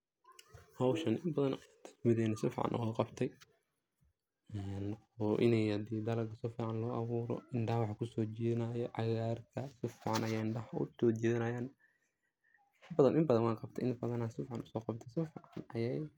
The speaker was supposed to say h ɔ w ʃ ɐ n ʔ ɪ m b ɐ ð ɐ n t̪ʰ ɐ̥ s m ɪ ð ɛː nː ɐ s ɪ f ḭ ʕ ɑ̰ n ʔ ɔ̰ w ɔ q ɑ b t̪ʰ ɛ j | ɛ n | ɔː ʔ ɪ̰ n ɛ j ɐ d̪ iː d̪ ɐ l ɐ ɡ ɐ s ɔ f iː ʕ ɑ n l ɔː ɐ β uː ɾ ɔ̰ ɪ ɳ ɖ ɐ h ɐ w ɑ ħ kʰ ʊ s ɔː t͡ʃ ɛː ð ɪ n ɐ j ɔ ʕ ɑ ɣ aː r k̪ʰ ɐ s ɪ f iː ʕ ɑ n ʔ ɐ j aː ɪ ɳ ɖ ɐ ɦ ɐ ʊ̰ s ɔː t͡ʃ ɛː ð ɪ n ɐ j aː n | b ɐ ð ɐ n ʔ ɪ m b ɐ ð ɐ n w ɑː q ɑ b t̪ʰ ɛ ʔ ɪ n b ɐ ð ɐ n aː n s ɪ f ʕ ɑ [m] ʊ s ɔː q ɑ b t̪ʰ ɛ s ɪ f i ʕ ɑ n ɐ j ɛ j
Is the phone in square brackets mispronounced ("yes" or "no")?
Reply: yes